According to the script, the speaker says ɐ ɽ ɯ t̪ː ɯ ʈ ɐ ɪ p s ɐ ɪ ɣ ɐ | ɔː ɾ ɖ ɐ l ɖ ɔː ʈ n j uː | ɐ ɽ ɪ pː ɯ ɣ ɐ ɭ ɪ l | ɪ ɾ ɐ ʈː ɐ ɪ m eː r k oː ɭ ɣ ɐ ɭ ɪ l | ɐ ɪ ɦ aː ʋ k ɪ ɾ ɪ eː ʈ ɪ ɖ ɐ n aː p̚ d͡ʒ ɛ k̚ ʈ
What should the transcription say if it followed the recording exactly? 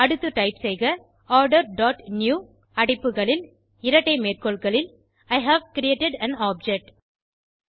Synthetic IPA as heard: ɐ ɽ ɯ t̪ː ɯ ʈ ɐ ɪ p s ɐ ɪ ɣ ɐ | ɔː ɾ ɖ ɐ ɾ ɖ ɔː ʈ n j uː | ɐ ɽ ɪ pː ɯ ɣ ɐ ɭ ɪ l | ɪ ɾ ɐ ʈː ɐ ɪ m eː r k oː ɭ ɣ ɐ ɭ ɪ l | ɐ ɪ ɦ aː ʋ k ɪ ɾ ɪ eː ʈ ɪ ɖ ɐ n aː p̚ d͡ʒ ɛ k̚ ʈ